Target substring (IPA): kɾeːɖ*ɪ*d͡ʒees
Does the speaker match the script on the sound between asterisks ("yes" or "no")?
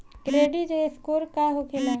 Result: no